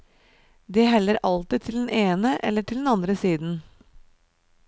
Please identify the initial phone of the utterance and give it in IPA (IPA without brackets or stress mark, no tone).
d̪